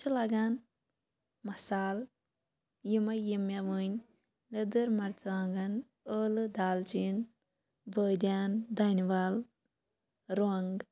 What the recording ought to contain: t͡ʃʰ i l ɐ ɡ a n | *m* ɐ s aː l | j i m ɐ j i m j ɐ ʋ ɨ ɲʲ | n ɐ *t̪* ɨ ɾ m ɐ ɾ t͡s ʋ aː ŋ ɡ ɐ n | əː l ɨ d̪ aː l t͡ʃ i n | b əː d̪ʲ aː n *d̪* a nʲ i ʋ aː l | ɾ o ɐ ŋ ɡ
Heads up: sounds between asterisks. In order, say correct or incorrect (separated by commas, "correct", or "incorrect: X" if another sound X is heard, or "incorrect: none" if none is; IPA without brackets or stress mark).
correct, incorrect: d̪, correct